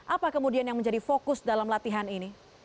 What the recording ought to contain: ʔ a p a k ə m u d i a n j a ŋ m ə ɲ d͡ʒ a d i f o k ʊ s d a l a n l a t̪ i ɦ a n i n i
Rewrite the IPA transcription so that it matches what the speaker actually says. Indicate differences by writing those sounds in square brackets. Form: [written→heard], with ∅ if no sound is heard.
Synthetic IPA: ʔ a p a k ə m u d i a n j a ŋ m ə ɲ d͡ʒ a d i f o k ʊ s d a l a [n→m] l a t̪ i ɦ a n i n i